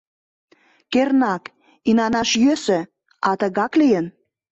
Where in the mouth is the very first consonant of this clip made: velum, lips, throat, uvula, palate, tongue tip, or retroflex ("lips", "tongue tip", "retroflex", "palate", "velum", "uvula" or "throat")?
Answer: velum